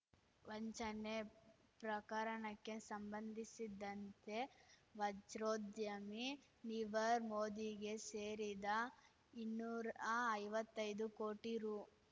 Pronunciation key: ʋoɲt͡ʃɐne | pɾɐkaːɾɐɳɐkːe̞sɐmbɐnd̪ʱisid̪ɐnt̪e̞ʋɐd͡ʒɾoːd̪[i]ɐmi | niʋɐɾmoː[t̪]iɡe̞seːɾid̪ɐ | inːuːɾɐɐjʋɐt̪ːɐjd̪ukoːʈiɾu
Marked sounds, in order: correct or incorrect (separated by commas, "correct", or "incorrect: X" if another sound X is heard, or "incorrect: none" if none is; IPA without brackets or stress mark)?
incorrect: j, incorrect: d̪